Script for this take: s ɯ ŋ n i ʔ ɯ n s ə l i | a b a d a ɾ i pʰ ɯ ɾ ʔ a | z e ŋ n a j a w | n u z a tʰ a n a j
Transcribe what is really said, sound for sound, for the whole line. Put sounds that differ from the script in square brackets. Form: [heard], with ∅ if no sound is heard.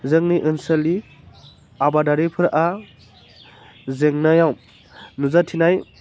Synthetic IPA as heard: [z] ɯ ŋ n i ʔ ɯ n s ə l i | a b a d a ɾ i pʰ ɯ ɾ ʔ a | z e ŋ n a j a w | n u z a tʰ [i] n a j